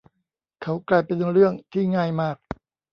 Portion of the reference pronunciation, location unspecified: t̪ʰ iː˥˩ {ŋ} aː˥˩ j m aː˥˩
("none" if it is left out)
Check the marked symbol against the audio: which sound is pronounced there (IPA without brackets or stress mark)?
ŋ